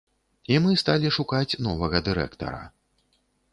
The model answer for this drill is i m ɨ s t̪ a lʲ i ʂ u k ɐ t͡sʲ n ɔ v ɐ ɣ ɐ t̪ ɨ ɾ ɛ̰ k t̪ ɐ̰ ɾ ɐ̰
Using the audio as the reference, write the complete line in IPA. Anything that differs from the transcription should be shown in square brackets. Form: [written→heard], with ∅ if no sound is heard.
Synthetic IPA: i m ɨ s t̪ a lʲ i ʂ u k [ɐ→a] t͡sʲ n ɔ v ɐ ɣ ɐ [t̪→d̪] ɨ ɾ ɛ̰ k t̪ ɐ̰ ɾ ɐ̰